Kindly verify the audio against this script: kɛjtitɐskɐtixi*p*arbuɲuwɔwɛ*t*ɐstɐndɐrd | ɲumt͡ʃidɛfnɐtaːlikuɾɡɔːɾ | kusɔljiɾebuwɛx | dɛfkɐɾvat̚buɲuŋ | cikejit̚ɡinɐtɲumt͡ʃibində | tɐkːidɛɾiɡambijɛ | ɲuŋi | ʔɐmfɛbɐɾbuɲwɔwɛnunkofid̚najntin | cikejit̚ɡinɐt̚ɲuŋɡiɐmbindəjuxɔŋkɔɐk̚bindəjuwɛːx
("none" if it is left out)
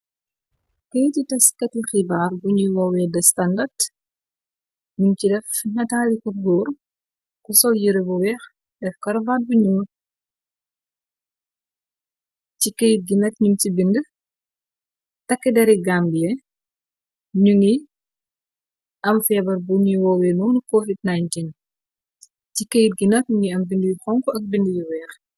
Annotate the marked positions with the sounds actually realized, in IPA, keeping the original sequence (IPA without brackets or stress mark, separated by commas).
b, d